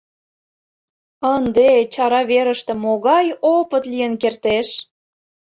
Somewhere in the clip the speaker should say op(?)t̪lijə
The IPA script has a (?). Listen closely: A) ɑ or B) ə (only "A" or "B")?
B